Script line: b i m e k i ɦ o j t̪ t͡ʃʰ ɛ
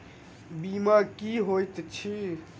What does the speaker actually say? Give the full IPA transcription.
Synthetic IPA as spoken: b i m a k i ɦ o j t̪ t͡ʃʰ i

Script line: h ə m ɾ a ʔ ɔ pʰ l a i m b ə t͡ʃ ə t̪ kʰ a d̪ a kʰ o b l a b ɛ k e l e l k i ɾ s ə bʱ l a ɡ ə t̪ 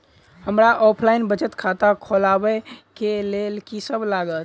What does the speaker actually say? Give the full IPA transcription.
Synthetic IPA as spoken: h ə m ɾ a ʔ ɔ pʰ l a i n b ə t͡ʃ ə t̪ kʰ a t̪ a kʰ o l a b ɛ k e l e l k i s ə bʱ l a ɡ ə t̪

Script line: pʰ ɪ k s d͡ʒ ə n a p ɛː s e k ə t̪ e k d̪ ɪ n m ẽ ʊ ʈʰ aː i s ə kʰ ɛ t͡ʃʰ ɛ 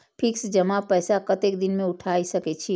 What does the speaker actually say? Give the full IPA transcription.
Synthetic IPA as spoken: pʰ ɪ k s d͡ʒ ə m a p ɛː s a k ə t̪ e k d̪ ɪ n m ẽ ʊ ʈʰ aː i s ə k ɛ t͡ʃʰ i

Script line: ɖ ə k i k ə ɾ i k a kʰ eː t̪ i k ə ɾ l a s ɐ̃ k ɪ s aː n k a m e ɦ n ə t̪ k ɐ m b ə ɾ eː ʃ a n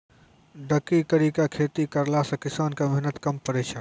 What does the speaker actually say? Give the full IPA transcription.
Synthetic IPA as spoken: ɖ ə k i k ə ɾ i k a kʰ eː t̪ i k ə ɾ l a s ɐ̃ k ɪ s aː n k a m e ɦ n ə t̪ k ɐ m p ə ɾ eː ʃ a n

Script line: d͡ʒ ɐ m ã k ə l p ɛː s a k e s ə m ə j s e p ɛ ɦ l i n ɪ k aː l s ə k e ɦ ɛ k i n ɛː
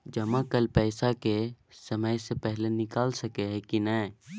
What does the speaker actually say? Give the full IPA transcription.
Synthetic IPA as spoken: d͡ʒ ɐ m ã k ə l p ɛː s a k e s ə m ə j s e p ɛ ɦ l e n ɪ k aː l s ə k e ɦ ɛ k i n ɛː

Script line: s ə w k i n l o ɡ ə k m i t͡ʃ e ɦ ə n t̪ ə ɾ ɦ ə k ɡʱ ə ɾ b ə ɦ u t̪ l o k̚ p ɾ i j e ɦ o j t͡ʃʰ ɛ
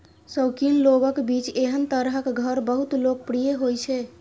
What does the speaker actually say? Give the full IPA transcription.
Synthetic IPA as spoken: s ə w k i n l o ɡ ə k b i t͡ʃ e ɦ ə n t̪ ə ɾ ɦ ə k ɡʱ ə ɾ b ə ɦ u t̪ l o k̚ p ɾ i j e ɦ o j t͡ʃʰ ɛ

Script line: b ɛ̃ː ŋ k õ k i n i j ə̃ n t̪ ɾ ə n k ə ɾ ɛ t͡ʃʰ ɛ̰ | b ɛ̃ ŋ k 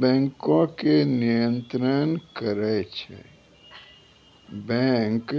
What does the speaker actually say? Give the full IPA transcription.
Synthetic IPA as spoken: b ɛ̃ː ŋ k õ k e n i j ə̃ n t̪ ɾ ə n k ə ɾ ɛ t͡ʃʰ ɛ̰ | b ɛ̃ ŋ k

